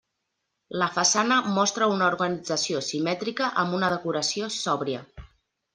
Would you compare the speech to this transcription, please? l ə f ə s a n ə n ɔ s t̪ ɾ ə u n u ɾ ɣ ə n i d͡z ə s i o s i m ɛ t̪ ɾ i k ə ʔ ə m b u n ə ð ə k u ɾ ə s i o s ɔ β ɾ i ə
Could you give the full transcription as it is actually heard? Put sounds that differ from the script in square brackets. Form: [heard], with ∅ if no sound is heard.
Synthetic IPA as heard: l ə f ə s a n ə [m] ɔ s t̪ ɾ ə u n u ɾ ɣ ə n i d͡z ə s i o s i m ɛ t̪ ɾ i k ə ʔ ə m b u n ə ð ə k u ɾ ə s i o s ɔ β ɾ i ə